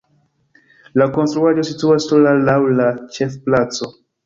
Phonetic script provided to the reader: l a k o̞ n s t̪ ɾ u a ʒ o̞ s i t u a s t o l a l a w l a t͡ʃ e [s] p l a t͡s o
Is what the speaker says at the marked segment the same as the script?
no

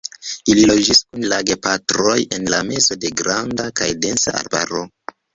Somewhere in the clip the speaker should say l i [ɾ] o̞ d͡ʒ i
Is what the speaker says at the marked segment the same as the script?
no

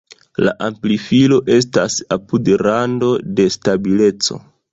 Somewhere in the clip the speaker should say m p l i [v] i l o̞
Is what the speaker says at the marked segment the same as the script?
no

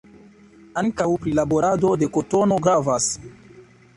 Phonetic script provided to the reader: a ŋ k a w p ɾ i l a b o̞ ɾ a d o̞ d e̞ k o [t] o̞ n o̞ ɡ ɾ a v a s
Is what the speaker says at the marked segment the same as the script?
yes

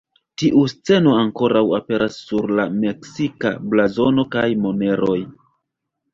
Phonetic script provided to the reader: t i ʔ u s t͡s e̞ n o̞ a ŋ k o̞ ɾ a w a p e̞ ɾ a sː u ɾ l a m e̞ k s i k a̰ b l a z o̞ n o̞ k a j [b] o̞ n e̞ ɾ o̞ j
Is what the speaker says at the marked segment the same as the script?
no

